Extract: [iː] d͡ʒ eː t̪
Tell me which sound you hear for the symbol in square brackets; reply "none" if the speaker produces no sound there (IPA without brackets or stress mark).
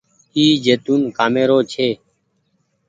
iː